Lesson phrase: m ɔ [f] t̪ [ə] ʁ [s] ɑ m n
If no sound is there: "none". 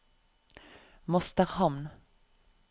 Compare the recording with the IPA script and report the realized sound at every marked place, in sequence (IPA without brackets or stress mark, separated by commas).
s, ə, h